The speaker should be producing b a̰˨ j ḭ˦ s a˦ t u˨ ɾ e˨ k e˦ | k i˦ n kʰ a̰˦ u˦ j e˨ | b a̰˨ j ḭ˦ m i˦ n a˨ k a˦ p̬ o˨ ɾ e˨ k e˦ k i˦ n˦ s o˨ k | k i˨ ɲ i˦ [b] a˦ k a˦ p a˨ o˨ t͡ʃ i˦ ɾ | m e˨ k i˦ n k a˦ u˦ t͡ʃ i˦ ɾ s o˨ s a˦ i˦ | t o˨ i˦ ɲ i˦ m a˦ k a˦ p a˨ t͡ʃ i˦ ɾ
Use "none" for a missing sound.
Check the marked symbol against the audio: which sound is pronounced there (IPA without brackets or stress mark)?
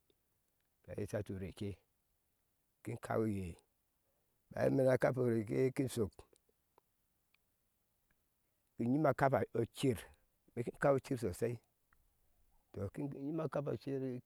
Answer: m